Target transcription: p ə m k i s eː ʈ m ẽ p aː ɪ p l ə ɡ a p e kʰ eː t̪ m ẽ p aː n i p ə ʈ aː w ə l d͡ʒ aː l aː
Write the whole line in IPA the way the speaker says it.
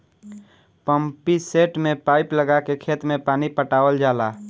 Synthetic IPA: p ə m p i s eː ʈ m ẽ p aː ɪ p l ə ɡ a k e kʰ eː t̪ m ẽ p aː n i p ə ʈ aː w ə l d͡ʒ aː l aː